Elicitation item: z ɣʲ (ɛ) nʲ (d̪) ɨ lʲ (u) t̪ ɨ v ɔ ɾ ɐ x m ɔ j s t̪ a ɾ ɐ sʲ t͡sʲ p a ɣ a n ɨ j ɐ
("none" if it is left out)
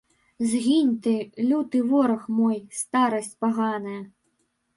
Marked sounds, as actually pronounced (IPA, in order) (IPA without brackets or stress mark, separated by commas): i, t̪, u